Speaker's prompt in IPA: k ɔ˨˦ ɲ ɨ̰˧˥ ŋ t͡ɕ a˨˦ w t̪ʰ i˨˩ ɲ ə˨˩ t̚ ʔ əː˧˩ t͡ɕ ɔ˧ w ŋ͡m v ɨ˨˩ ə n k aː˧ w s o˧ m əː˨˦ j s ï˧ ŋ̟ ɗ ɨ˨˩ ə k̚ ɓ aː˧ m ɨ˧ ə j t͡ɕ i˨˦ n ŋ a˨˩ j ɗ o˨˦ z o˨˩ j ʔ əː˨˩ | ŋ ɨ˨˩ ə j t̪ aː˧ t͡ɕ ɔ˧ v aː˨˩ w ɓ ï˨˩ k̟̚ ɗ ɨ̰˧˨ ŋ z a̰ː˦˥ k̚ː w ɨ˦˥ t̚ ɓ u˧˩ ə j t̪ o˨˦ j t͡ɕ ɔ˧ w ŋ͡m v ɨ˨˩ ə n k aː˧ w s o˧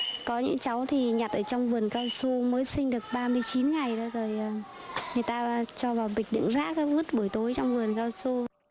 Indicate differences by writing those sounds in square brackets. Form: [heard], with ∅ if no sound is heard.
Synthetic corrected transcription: k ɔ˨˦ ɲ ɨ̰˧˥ ŋ t͡ɕ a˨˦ w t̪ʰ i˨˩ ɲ [a˨˩] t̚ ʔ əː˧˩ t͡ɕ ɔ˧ w ŋ͡m v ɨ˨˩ ə n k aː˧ w s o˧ m əː˨˦ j s ï˧ ŋ̟ ɗ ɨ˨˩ ə k̚ ɓ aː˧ m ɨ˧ ə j t͡ɕ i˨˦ n ŋ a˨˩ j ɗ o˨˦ z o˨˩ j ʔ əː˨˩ | ŋ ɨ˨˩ ə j t̪ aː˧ t͡ɕ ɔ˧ v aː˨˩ w ɓ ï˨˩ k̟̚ ɗ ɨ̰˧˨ ŋ z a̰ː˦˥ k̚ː [v] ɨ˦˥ t̚ ɓ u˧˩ ə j t̪ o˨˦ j t͡ɕ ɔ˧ w ŋ͡m v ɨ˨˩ ə n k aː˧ w s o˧